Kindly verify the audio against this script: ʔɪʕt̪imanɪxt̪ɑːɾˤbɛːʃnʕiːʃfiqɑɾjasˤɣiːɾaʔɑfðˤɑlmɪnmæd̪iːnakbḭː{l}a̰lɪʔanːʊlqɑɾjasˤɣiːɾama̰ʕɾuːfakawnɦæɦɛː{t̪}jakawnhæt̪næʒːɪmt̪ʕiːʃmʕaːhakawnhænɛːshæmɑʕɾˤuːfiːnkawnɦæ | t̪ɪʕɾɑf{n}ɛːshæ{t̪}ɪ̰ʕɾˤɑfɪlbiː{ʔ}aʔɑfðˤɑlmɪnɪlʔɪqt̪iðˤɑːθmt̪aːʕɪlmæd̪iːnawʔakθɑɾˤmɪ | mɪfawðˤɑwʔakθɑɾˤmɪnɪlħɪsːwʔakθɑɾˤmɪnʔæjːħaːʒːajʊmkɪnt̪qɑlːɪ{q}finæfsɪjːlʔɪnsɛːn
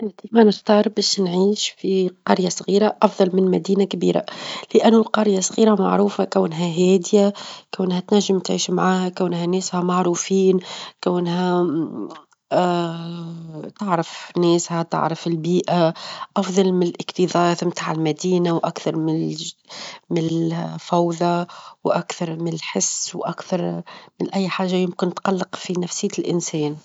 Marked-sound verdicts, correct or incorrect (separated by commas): incorrect, incorrect, correct, correct, correct, correct